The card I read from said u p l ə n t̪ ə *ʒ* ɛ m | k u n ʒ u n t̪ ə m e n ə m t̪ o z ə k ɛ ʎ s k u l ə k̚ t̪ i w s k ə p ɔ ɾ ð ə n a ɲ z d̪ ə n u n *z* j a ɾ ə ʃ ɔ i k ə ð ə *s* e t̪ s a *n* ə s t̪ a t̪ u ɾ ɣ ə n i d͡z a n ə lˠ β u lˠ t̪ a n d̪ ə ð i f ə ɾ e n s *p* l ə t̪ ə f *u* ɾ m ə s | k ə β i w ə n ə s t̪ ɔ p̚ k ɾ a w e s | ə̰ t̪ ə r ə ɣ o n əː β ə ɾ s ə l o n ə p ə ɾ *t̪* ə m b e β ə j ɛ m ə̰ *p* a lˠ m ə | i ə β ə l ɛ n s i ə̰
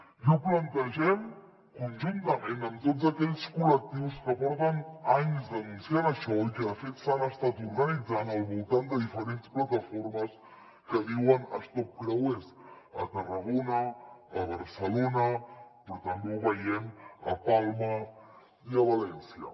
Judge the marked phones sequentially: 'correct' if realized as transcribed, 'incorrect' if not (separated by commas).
correct, incorrect, incorrect, correct, correct, incorrect, correct, correct